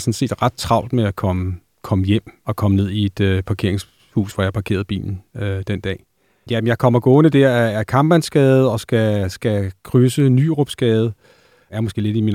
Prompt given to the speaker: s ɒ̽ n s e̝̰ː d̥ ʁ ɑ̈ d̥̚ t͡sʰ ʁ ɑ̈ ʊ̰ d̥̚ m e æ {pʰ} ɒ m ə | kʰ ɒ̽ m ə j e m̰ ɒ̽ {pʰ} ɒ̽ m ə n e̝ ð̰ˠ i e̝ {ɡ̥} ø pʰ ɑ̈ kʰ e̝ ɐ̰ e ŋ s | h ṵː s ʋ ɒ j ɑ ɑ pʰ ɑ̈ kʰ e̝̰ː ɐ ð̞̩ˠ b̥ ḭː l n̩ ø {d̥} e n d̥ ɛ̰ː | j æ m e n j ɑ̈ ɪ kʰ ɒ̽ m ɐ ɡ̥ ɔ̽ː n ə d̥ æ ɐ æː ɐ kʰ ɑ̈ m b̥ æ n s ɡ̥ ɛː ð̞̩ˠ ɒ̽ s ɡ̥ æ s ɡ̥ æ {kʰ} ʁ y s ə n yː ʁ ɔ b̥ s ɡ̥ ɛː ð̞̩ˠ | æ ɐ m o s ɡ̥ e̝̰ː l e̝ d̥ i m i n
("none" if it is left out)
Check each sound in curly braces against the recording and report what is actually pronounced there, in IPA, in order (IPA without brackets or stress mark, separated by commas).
kʰ, kʰ, d̥, d̥, kʰ